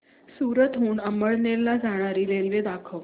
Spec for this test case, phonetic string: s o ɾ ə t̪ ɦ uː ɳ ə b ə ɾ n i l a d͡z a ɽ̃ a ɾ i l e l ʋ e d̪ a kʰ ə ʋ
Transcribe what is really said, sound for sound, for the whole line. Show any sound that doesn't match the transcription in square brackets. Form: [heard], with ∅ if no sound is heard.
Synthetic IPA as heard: s [u] ɾ ə t̪ ɦ uː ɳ ə [m] ə [ɭ] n [e] l a d͡z a ɽ̃ a ɾ i l e l ʋ e d̪ a kʰ ə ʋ

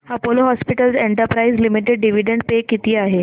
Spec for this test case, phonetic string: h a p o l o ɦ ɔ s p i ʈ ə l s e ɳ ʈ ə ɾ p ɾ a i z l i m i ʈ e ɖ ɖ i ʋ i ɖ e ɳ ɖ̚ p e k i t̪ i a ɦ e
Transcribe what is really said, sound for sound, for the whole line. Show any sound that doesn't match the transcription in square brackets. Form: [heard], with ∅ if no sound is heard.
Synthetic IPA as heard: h a p o l o ɦ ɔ s p i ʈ ə l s e ɳ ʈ ə ɾ p ɾ a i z l i m i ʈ e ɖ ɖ i ʋ i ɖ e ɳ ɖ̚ p e k i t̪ [iː] a ɦ e

